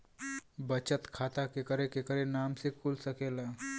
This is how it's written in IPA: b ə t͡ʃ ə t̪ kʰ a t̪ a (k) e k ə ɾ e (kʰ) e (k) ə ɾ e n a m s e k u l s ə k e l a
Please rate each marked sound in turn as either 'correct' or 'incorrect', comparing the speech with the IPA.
correct, incorrect, correct

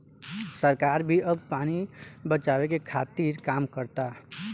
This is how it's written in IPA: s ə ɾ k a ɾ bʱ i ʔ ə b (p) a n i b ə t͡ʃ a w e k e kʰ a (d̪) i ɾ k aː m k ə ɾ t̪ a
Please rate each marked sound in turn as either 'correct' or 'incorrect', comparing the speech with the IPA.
correct, incorrect

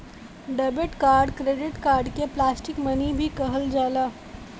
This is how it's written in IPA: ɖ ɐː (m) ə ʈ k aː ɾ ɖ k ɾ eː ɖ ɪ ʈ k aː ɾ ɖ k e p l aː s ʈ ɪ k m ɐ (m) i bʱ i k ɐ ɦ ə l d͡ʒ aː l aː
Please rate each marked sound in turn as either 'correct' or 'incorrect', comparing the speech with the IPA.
incorrect, incorrect

